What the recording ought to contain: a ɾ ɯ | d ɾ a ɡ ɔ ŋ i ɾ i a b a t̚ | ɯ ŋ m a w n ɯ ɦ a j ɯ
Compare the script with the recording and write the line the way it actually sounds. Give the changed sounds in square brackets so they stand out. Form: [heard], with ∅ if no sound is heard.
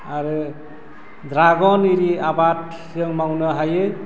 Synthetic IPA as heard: a ɾ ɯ | d ɾ a ɡ ɔ [n] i ɾ i a b a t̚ | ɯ ŋ m a w n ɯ ɦ a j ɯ